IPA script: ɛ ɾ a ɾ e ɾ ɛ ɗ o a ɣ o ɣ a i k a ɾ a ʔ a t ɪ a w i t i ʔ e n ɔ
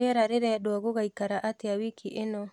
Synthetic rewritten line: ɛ ɾ a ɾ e ɾ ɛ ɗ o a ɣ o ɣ a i k a ɾ a ʔ a t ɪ a w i k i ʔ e n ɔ